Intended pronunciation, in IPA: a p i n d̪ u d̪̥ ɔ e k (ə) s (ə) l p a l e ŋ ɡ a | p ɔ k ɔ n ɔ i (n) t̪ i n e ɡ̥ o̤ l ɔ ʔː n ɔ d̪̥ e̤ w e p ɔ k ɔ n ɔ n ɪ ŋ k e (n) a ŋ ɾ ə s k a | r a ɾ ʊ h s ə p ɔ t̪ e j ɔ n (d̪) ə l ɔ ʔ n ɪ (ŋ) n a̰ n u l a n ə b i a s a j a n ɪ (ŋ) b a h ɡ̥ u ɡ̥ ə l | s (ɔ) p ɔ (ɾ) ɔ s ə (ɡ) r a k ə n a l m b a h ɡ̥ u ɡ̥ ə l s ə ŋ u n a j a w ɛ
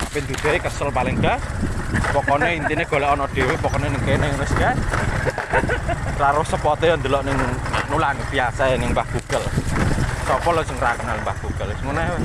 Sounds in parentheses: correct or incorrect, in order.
correct, correct, correct, correct, correct, correct, correct, correct, incorrect: l, incorrect: ŋ

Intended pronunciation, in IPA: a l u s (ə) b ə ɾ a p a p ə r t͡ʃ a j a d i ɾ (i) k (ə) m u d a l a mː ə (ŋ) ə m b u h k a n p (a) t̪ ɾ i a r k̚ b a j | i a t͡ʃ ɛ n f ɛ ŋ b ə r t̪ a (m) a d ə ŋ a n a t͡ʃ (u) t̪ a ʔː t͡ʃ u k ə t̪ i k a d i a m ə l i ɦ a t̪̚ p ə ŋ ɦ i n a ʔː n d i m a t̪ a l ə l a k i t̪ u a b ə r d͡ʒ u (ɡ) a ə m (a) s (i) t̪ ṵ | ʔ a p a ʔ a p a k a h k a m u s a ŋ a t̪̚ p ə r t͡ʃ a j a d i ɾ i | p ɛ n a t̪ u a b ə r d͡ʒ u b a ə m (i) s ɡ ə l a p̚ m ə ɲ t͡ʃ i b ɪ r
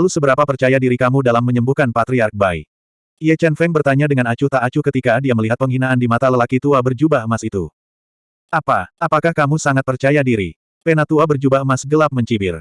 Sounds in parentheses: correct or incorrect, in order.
correct, correct, incorrect: a, incorrect: ɲ, correct, incorrect: ɲ, correct, incorrect: b, correct, correct, incorrect: a

